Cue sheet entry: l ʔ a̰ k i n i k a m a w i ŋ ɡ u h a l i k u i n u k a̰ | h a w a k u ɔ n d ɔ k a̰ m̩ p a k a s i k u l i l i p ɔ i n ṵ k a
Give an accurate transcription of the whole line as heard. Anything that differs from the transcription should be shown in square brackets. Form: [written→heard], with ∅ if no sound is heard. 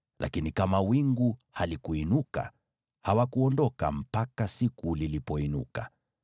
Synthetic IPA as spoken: l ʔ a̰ k i n i k a m a w i ŋ ɡ u h a l i k u i n u k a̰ | h a w a k u ɔ n d ɔ k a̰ m̩ p a k a s i k u l i l i p ɔ i n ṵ k a